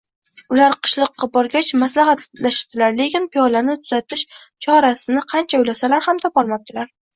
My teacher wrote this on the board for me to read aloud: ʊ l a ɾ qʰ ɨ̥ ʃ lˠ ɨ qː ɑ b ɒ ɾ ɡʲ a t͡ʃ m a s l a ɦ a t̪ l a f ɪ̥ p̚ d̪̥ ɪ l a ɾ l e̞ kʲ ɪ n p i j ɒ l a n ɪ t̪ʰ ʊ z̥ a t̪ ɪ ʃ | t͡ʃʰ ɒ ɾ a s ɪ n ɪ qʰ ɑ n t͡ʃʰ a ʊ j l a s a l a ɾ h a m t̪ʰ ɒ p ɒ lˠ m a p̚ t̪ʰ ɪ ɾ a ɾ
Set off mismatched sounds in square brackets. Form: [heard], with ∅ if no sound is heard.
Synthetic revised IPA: ʊ l a ɾ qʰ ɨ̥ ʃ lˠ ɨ qː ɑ b ɒ ɾ ɡʲ a t͡ʃ m a s l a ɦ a t̪ l a [ʃ] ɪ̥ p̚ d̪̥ ɪ l a ɾ l e̞ kʲ ɪ n p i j ɒ l a n ɪ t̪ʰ ʊ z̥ a t̪ ɪ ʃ | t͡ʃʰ ɒ ɾ a s ɪ n ɪ qʰ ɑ n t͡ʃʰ a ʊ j l a s a l a ɾ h a m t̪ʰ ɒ p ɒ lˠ m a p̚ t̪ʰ ɪ [l] a ɾ